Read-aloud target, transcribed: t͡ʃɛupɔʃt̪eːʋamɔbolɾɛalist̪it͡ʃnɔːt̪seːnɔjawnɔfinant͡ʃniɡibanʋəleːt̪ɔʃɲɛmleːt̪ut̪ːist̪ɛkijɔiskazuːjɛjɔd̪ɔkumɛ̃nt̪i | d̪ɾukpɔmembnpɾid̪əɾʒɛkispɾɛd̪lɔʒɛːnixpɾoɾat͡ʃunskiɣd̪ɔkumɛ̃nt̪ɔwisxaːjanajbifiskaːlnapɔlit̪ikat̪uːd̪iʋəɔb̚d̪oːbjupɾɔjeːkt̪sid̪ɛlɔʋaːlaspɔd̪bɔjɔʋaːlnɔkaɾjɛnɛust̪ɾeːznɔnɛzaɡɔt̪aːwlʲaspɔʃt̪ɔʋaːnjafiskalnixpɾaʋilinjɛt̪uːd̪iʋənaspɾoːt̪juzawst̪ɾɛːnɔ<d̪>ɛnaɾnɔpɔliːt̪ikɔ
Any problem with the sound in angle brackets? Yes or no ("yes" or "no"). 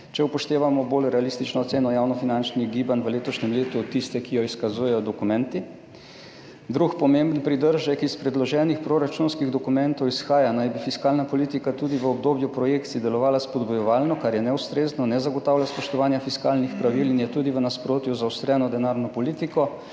no